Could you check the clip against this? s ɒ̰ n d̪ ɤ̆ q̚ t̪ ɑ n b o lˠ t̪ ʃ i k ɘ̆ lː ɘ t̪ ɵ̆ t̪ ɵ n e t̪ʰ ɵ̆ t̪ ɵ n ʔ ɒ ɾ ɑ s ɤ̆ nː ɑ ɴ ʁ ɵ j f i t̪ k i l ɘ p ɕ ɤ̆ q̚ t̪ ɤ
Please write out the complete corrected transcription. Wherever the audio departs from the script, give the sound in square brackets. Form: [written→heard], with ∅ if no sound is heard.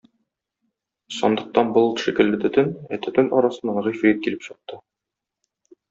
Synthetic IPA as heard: s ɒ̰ n d̪ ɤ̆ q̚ t̪ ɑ n b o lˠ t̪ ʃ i k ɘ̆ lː ɘ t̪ ɵ̆ t̪ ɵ n [e→æ] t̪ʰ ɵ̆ t̪ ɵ n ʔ ɒ ɾ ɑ s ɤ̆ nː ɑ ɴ ʁ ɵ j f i t̪ k i l ɘ p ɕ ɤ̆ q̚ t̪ ɤ